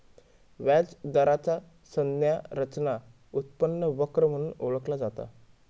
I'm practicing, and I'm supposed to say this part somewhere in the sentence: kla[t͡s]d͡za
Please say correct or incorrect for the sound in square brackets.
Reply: incorrect: none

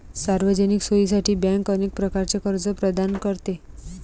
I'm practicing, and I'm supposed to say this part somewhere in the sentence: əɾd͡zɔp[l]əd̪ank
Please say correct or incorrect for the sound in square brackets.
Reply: incorrect: ɾ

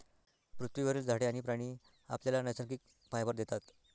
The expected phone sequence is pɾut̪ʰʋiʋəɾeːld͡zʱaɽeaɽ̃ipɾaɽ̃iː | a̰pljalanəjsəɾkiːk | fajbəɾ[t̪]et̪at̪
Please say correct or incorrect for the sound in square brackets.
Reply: incorrect: d̪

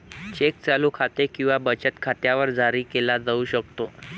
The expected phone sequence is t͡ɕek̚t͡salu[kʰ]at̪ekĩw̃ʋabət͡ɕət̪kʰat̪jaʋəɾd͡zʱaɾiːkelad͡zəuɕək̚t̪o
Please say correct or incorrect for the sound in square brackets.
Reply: correct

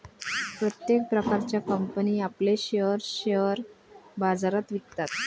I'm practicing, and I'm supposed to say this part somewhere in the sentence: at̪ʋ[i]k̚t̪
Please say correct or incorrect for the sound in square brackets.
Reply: correct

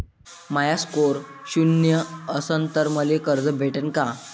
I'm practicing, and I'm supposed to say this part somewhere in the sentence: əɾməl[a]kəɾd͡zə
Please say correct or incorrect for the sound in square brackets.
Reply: incorrect: e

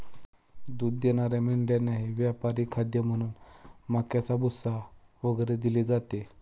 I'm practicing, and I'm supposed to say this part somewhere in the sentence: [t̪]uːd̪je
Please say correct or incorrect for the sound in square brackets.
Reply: incorrect: d̪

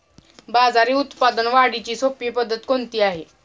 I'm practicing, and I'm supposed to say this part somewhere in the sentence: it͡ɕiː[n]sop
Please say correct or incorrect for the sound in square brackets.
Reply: incorrect: none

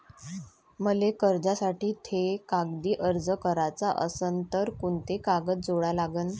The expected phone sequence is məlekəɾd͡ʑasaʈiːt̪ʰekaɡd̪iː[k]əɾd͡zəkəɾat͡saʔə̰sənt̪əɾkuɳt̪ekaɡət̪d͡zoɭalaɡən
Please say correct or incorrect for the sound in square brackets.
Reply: incorrect: ʔ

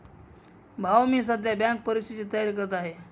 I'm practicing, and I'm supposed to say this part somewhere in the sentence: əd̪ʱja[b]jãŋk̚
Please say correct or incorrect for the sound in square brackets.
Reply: correct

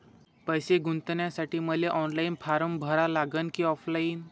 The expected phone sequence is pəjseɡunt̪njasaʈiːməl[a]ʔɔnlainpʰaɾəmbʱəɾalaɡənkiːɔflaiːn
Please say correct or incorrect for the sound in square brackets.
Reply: incorrect: e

